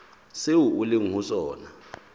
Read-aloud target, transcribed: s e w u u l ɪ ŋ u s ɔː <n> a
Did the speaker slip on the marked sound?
no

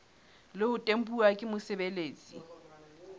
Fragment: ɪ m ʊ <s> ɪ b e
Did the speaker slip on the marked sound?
no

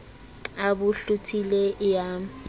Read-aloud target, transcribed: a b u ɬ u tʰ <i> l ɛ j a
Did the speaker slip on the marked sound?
no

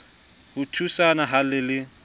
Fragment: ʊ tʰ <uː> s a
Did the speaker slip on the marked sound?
yes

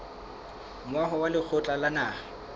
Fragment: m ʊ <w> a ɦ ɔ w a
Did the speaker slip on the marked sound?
no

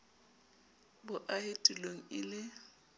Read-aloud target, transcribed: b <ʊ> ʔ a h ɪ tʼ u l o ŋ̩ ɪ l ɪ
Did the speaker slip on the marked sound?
no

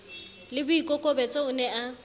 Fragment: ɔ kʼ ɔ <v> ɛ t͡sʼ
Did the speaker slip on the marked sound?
yes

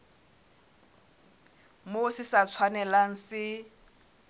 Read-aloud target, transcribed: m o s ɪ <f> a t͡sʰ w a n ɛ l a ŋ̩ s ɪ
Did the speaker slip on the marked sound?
yes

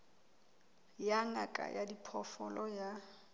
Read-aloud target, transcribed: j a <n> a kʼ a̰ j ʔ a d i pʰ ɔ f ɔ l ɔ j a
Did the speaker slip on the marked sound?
yes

